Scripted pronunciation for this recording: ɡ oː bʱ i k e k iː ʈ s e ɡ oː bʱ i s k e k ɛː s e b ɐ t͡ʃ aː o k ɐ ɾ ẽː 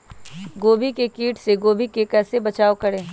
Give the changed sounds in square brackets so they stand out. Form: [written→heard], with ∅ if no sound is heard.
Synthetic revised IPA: ɡ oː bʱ i k e k iː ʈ s e ɡ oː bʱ i [s→∅] k e k ɛː s e b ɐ t͡ʃ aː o k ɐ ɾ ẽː